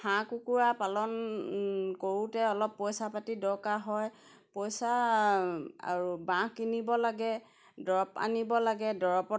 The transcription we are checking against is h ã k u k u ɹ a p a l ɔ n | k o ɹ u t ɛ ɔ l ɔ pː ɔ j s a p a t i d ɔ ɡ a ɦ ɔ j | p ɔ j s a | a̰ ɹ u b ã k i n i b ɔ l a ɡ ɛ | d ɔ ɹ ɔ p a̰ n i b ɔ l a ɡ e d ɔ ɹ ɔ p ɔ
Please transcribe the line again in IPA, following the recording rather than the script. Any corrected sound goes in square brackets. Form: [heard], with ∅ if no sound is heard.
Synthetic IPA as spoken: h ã k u k u ɹ a p a l ɔ n | k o ɹ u t ɛ ɔ l ɔ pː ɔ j s a p a t i d ɔ [k] a ɦ ɔ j | p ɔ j s a | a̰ ɹ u b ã k i n i b ɔ l a ɡ ɛ | d ɔ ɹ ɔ p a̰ n i b ɔ l a ɡ [ɛ] d ɔ ɹ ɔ p ɔ